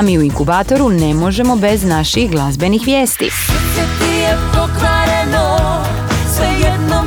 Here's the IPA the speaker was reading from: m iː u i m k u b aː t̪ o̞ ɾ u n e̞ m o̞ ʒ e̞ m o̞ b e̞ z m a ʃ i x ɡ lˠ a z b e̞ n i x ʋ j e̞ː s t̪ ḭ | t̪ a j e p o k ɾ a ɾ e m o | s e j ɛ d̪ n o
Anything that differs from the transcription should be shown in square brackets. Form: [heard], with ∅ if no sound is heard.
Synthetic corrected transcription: m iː u i [ŋ] k u b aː t̪ o̞ ɾ u n e̞ m o̞ ʒ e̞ m o̞ b e̞ z [n] a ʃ i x ɡ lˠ a z b e̞ n i x ʋ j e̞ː s t̪ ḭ | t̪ [i] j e p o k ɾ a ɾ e [n] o | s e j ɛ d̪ n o